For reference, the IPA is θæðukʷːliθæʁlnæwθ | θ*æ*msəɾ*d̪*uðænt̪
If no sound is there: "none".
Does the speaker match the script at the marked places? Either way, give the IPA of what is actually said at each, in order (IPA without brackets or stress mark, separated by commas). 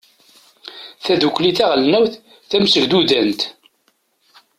æ, d̪